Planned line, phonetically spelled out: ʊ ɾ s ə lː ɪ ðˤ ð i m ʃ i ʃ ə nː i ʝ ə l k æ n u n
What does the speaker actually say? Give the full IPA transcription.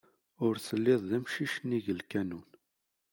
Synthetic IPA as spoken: ʊ ɾ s ə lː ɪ ðˤ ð æ m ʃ i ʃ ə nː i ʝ ə l k æ n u n